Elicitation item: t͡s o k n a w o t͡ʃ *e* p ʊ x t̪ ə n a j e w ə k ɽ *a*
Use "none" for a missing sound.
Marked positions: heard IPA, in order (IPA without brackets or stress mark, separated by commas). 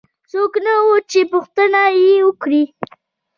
e, i